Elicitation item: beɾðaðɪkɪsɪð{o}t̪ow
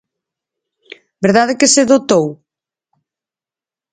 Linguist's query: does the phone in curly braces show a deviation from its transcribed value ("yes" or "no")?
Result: no